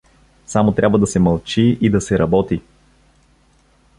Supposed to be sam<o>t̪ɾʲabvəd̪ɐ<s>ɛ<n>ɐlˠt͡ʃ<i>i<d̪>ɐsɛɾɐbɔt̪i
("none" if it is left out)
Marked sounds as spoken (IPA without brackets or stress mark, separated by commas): o, s, m, i, d̪